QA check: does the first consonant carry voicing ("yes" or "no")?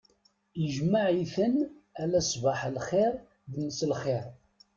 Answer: yes